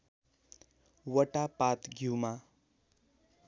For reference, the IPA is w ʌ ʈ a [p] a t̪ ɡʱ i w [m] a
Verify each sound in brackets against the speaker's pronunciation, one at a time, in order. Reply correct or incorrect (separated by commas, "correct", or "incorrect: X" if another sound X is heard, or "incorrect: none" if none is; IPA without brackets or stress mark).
correct, correct